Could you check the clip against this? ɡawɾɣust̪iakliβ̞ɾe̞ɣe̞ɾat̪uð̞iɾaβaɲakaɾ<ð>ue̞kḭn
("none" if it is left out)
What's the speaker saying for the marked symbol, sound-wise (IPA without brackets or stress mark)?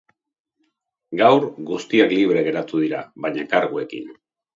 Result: ɣ